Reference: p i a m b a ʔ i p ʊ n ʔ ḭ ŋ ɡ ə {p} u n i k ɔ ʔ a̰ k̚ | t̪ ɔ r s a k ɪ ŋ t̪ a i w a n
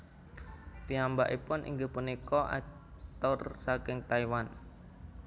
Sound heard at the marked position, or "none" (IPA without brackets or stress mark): p